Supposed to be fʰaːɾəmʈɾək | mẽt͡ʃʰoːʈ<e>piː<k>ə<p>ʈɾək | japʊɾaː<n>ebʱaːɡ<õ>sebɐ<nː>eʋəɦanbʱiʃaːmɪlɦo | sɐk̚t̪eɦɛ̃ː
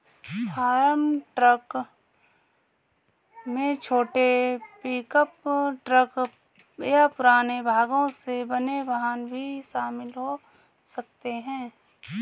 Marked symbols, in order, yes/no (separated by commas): yes, yes, yes, yes, yes, no